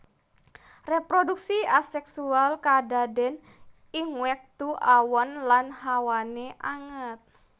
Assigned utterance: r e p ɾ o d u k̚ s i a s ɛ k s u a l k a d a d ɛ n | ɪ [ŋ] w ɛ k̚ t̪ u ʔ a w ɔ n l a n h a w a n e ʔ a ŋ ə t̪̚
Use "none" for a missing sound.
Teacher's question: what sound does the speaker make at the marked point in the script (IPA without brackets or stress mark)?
ŋ